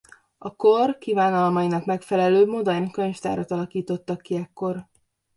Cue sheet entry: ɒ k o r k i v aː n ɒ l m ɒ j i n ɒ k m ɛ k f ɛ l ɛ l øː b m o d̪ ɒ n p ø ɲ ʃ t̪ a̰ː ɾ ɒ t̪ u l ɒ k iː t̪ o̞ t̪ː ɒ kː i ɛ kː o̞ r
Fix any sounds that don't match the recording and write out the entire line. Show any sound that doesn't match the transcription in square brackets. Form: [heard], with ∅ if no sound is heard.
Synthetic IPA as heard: ɒ k o r k i v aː n ɒ l m ɒ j i n ɒ k m ɛ k f ɛ l ɛ l øː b m o d̪ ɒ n [k] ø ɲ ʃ t̪ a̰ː ɾ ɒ t̪ [ɒ] l ɒ k iː t̪ o̞ t̪ː ɒ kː i ɛ kː o̞ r

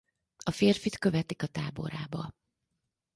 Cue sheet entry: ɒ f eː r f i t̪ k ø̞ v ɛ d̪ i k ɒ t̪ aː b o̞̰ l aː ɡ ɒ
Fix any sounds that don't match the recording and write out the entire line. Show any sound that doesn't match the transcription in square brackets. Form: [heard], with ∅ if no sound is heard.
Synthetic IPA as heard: ɒ f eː r f i t̪ k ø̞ v ɛ [t̪] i k ɒ t̪ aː b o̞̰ [ɾ] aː [b] ɒ

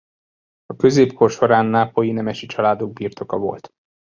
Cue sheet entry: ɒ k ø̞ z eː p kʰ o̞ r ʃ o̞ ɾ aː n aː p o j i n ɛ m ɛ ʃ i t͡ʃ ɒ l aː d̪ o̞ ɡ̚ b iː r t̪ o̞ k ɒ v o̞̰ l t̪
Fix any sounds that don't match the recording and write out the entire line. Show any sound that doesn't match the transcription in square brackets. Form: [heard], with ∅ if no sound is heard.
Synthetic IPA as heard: ɒ k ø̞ z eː p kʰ o̞ r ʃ o̞ ɾ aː [nː] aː p o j i n ɛ m ɛ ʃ i t͡ʃ ɒ l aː d̪ o̞ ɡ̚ b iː r t̪ o̞ k ɒ v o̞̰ l t̪

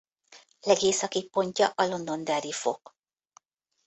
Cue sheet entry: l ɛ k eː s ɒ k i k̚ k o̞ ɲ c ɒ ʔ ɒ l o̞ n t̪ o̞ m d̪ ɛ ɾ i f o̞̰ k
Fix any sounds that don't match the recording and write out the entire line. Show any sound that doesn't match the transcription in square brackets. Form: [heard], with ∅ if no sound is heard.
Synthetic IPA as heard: l ɛ [ɡ] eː s ɒ k i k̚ [p] o̞ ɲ c ɒ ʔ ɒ l o̞ n [d̪] o̞ [n] d̪ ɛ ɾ i f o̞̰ k

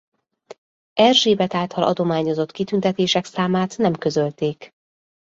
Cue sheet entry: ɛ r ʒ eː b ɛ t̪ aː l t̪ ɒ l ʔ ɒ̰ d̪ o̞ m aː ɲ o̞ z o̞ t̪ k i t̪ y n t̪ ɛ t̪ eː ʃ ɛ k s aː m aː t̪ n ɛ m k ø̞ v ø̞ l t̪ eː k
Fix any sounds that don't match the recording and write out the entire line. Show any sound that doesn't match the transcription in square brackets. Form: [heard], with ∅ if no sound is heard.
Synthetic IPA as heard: ɛ r ʒ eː b ɛ t̪ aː l t̪ ɒ l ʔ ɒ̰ d̪ o̞ m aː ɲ o̞ z o̞ t̪ k i t̪ y n t̪ ɛ t̪ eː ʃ ɛ k s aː m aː t̪ n ɛ m k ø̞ [z] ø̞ l t̪ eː k

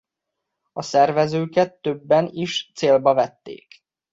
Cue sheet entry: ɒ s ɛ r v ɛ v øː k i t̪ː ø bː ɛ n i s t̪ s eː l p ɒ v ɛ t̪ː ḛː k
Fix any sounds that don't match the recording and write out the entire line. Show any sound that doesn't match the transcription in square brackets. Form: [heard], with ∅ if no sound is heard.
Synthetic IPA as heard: ɒ s ɛ r v ɛ [z] øː k [ɛ] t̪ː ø bː ɛ n i [ʃ] t̪ s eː l [b] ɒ v ɛ t̪ː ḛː k

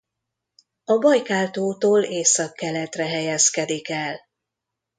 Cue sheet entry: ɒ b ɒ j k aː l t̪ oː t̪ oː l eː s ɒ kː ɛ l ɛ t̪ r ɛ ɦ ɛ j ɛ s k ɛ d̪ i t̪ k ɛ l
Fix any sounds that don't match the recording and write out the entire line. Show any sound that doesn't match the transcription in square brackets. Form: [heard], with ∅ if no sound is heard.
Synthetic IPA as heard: ɒ b ɒ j k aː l t̪ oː t̪ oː l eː s ɒ kː ɛ l ɛ t̪ r ɛ ɦ ɛ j ɛ s k ɛ d̪ i [∅] k ɛ l

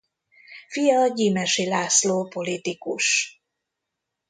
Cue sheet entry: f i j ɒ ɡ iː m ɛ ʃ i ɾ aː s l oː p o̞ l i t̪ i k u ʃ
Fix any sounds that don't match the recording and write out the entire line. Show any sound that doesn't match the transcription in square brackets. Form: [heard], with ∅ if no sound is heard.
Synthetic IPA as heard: f i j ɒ [ɟ] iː m ɛ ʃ i [l] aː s l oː p o̞ l i t̪ i k u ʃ

